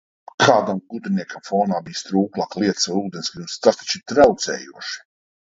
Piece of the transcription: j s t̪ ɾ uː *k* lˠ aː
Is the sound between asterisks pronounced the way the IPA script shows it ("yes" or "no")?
yes